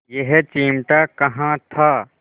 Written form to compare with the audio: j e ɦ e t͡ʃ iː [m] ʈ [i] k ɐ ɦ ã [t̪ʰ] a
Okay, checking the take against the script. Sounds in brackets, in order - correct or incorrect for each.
correct, incorrect: a, correct

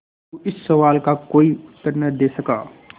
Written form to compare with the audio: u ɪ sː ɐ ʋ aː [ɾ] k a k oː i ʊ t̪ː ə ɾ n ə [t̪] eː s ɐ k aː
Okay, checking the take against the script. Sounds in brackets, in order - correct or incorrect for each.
incorrect: l, incorrect: d̪

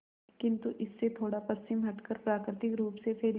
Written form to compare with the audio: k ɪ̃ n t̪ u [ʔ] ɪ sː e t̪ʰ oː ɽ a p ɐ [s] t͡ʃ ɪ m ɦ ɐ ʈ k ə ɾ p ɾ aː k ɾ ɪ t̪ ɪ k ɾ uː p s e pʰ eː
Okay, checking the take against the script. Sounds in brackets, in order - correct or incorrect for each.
correct, correct

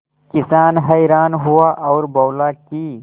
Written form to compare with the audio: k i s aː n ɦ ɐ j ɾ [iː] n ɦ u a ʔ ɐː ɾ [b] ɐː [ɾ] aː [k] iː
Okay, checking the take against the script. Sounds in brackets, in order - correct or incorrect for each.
incorrect: aː, correct, incorrect: l, correct

